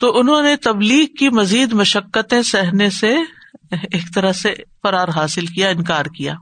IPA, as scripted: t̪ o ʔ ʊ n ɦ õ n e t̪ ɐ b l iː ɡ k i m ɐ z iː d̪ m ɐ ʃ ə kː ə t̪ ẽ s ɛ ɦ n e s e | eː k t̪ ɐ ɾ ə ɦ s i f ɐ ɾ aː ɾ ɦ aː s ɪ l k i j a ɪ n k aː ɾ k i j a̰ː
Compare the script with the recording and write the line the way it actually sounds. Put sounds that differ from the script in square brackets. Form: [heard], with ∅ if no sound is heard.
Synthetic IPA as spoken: t̪ o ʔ ʊ n ɦ õ n e t̪ ɐ b l iː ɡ k i m ɐ z iː d̪ m ɐ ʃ ə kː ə t̪ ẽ s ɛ ɦ n e s e | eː k t̪ ɐ ɾ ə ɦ s [e] f ɐ ɾ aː ɾ ɦ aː s ɪ l k i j a ɪ n k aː ɾ k i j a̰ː